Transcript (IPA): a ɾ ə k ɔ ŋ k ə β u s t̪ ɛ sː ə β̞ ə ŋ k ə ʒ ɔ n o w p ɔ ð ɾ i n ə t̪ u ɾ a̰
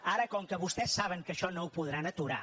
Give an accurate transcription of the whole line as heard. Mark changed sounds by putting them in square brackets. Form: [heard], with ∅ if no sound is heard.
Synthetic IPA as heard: a ɾ ə k ɔ ŋ k ə β u s t̪ ɛ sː [a] β̞ ə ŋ k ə [ʃ] ɔ n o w p [u] ð ɾ [a] n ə t̪ u ɾ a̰

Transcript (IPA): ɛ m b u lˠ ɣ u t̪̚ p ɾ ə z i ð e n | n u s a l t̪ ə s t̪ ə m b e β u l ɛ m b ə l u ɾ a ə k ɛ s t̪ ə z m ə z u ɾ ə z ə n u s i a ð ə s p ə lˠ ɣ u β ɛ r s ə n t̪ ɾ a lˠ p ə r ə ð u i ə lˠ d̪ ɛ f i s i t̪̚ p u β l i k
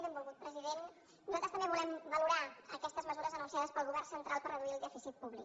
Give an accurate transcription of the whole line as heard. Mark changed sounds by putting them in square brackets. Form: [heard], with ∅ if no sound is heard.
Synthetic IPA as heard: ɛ m b u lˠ ɣ u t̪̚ p ɾ ə z i ð e n | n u [z] a l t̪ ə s t̪ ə m b e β u l ɛ m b ə l u ɾ a ə k ɛ s t̪ ə z m ə z u ɾ ə z ə n u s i a ð ə s p ə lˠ ɣ u β ɛ r s ə n t̪ ɾ a lˠ p ə r ə ð u i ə lˠ d̪ ɛ f i s i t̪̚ p u β l i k

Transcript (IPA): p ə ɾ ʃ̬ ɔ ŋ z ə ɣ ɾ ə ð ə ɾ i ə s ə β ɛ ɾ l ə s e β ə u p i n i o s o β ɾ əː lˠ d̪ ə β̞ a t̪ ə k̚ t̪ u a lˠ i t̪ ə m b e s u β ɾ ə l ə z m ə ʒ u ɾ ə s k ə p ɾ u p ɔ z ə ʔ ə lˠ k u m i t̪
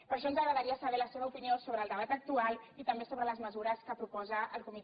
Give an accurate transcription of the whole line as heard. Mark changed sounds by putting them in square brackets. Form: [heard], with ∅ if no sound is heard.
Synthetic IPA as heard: p ə ɾ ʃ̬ ɔ [n] z ə ɣ ɾ ə ð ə ɾ i ə s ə β ɛ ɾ l ə s e β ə u p i n i o s o β ɾ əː lˠ d̪ ə β̞ a t̪ ə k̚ t̪ u a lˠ i t̪ ə m b e s [o] β ɾ ə l ə z m ə [z] u ɾ ə s k ə p ɾ u p ɔ z ə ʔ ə lˠ k u m i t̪

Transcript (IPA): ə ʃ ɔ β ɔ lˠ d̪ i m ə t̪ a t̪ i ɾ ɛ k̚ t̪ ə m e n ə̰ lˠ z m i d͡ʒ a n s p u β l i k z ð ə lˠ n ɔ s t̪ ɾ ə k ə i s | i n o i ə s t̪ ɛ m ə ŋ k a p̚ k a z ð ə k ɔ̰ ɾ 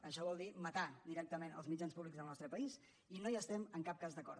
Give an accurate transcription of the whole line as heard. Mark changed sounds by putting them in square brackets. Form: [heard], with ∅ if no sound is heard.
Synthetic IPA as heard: ə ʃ ɔ β ɔ lˠ d̪ i m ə t̪ a [d̪] i ɾ ɛ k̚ t̪ ə m e n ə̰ lˠ z m i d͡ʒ a n s p u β l i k z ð ə lˠ n ɔ s t̪ ɾ ə [p] ə i s | i n o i ə s t̪ ɛ m ə ŋ k a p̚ k a z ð ə k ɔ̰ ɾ

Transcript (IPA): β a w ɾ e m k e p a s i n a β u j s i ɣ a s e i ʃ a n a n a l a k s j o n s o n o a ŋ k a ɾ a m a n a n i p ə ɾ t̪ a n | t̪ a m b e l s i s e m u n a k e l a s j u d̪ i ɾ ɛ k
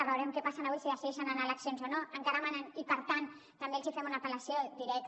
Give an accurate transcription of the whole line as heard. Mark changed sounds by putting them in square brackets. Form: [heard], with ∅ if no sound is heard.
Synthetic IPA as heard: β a w ɾ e m k e p a s [a] n a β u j s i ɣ a s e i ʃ a n a n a l a k s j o n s o n o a ŋ k a ɾ a m a n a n i p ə ɾ t̪ a n | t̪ a m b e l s i [f] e m u n a [p] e l a s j [o] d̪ i ɾ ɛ k

